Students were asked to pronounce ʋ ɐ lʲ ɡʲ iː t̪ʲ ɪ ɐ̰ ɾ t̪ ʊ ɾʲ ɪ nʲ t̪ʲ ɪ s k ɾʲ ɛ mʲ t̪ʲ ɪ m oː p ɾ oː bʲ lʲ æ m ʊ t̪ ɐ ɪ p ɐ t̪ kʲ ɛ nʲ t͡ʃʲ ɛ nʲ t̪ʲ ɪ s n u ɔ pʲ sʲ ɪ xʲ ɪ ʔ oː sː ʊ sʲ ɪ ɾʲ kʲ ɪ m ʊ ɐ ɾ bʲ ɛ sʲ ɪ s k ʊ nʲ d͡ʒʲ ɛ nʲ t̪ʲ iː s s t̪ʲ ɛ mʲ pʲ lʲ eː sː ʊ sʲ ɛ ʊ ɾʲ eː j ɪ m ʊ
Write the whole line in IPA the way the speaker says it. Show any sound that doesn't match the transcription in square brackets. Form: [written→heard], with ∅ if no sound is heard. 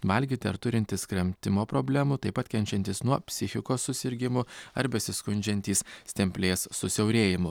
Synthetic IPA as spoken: ʋ ɐ lʲ ɡʲ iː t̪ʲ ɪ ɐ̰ ɾ t̪ ʊ ɾʲ ɪ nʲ t̪ʲ ɪ s k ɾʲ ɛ mʲ t̪ʲ ɪ m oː p ɾ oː bʲ lʲ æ m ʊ t̪ ɐ ɪ p ɐ t̪ kʲ ɛ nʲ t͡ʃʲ ɛ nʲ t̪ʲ ɪ s n u ɔ pʲ sʲ ɪ xʲ ɪ [ʔ→k] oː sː ʊ sʲ ɪ ɾʲ [kʲ→ɡʲ] ɪ m ʊ ɐ ɾ bʲ ɛ sʲ ɪ s k ʊ nʲ d͡ʒʲ ɛ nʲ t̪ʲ iː s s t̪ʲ ɛ mʲ pʲ lʲ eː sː ʊ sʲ ɛ ʊ ɾʲ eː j ɪ m ʊ